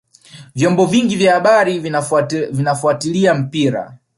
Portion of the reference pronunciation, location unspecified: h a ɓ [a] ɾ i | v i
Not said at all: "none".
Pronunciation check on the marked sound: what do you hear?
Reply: a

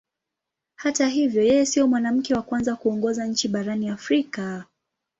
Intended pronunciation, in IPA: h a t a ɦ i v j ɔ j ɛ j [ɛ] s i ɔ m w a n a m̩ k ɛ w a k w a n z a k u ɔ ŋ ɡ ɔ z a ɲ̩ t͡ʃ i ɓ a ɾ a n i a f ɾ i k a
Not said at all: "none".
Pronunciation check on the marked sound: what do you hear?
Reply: ɛ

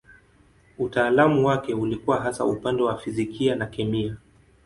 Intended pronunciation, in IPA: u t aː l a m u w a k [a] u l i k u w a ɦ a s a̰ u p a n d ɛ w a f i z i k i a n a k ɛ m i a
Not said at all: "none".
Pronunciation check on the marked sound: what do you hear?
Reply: ɛ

